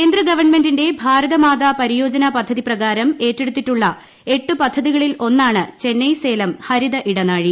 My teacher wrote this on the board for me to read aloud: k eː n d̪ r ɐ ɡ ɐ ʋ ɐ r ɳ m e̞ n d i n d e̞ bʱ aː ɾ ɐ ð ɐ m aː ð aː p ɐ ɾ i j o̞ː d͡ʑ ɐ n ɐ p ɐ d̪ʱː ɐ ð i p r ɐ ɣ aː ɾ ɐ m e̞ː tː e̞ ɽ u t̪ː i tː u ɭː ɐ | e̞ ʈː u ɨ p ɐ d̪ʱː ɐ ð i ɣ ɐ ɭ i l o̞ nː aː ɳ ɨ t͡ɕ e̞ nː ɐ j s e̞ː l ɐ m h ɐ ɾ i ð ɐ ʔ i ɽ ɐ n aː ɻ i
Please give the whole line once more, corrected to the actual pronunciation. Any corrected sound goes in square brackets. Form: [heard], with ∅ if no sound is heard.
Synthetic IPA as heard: k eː n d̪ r ɐ ɡ ɐ ʋ ɐ r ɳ m e̞ n d i n d e̞ bʱ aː ɾ ɐ ð ɐ m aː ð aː p ɐ ɾ i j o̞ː d͡ʑ ɐ n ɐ p ɐ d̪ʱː ɐ ð i p r ɐ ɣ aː ɾ ɐ m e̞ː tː e̞ ɽ u t̪ː i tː u ɭː ɐ | e̞ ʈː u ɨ p ɐ d̪ʱː ɐ ð i ɣ ɐ ɭ i l o̞ nː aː ɳ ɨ t͡ɕ e̞ nː ɐ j s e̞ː l ɐ m h ɐ ɾ i ð ɐ ʔ i ɽ ɐ n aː ɻ i

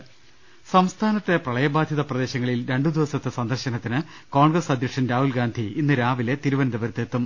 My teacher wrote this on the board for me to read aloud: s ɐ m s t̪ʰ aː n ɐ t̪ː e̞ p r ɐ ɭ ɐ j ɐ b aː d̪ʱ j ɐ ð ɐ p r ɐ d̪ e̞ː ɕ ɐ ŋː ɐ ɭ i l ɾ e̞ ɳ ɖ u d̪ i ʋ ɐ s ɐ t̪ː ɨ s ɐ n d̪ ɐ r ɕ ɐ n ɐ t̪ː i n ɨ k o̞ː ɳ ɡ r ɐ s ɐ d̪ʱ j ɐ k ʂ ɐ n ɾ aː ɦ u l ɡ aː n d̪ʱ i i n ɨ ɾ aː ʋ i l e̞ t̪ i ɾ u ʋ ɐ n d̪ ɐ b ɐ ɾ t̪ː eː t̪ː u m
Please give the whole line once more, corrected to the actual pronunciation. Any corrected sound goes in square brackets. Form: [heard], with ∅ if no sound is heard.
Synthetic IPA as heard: s ɐ m s t̪ʰ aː n ɐ t̪ː e̞ p r ɐ ɭ ɐ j ɐ b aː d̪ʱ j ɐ ð ɐ p r ɐ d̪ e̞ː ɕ ɐ ŋː ɐ ɭ i l ɾ e̞ ɳ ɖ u d̪ i ʋ ɐ s ɐ t̪ː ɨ s ɐ n d̪ ɐ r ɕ ɐ n ɐ t̪ː i n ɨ k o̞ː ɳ ɡ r ɐ s ɐ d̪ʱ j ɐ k ʂ ɐ n ɾ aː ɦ u l ɡ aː n d̪ʱ i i [nː] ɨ ɾ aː ʋ i l e̞ t̪ i ɾ u ʋ ɐ n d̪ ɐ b ɐ ɾ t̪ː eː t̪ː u m

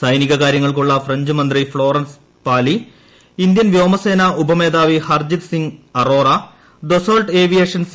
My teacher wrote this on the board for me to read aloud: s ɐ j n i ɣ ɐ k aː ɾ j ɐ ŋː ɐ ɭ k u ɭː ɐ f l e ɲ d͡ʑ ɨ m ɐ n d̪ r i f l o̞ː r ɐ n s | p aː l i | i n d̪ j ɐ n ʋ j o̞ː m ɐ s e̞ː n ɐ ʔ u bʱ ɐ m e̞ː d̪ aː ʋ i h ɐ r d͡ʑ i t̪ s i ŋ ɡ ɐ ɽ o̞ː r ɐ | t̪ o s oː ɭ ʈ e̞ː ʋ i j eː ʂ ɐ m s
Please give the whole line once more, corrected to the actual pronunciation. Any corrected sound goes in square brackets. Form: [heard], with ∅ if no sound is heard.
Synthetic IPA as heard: s ɐ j n i ɣ ɐ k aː ɾ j ɐ ŋː ɐ ɭ k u ɭː ɐ f [r] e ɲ d͡ʑ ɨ m ɐ n d̪ r i f [ɭ] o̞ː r ɐ n s | p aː l i | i n d̪ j ɐ n ʋ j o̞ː m ɐ s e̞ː n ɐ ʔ u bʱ ɐ m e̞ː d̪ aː ʋ i h ɐ r d͡ʑ i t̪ s i ŋ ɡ ɐ [r] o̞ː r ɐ | [d̪] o s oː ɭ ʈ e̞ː ʋ i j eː ʂ ɐ [n] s

